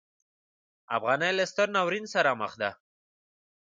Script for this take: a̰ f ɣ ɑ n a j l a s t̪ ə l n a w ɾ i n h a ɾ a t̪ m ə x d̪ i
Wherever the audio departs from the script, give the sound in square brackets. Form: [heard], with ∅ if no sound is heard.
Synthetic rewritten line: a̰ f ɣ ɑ n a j l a s t̪ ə [ɾ] n a w ɾ i n [s] a ɾ a [∅] m ə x d̪ [a]